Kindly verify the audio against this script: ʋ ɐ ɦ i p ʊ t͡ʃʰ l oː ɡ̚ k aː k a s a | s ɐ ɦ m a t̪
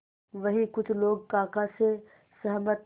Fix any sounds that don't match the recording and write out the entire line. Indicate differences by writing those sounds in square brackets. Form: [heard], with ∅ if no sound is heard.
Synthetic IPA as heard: ʋ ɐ ɦ i [k] ʊ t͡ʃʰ l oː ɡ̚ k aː k a s [e] | s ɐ ɦ m [ə] t̪